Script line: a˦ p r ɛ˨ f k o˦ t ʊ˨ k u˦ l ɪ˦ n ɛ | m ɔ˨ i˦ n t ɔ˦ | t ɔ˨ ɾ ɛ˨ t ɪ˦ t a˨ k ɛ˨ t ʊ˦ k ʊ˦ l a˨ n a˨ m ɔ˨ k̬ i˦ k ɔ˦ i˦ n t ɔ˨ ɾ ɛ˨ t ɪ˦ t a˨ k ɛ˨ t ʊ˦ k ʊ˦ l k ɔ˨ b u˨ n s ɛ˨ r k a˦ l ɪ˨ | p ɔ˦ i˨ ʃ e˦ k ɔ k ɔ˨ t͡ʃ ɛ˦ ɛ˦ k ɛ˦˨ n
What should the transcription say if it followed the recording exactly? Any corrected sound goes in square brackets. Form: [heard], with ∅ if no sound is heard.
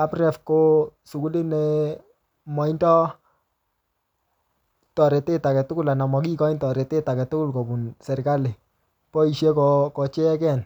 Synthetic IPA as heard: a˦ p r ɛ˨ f k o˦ [s] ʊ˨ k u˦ l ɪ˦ n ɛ | m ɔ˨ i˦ n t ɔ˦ | t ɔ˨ ɾ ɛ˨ t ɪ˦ t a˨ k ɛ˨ t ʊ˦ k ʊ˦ l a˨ n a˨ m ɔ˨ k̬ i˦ k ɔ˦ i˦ n t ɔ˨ ɾ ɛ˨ t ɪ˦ t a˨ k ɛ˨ t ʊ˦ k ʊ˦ l k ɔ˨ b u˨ n s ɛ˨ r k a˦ l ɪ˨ | p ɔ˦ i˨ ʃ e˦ k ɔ k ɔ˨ t͡ʃ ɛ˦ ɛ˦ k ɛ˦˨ n